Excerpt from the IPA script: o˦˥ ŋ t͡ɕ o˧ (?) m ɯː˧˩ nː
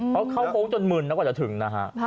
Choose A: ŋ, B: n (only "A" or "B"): B